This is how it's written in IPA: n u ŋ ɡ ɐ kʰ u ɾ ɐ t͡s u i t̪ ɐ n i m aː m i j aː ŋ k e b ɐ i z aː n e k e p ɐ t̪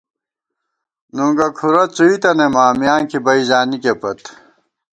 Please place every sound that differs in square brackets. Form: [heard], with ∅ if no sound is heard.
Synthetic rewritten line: n u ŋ ɡ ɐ kʰ u ɾ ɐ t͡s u i t̪ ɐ n [e] m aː m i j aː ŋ k [i] b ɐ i z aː n [i] k e p ɐ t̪